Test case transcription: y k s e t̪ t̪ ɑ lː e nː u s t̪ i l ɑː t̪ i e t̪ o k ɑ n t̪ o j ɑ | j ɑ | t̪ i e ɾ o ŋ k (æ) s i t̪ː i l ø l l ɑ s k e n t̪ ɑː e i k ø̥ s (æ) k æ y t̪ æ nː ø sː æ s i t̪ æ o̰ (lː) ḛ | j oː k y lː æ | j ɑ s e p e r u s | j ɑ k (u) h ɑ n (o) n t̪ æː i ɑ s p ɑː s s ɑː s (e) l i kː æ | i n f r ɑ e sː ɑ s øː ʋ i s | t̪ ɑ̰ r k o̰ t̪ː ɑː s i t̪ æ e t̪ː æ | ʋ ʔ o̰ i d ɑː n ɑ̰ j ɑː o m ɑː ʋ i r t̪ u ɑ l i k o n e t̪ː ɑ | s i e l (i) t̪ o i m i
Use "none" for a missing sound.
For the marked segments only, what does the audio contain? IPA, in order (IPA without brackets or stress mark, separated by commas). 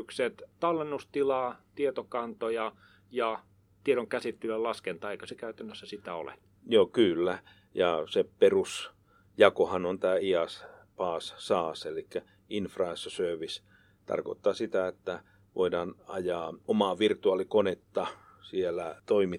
æ, e, l, o, o, e, æ